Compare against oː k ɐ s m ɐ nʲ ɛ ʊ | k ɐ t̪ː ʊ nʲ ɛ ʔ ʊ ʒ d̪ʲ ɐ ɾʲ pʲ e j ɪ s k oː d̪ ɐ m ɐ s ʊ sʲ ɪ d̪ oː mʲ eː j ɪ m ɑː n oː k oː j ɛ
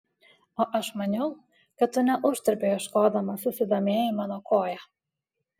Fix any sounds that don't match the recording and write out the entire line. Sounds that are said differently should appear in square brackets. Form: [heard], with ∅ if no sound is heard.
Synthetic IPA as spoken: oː [ʔ] ɐ [ʃ] m ɐ nʲ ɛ ʊ | k ɐ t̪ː ʊ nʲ ɛ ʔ ʊ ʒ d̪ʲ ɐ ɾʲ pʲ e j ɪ [ʃ] k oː d̪ ɐ m ɐ s ʊ sʲ ɪ d̪ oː mʲ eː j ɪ m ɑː n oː k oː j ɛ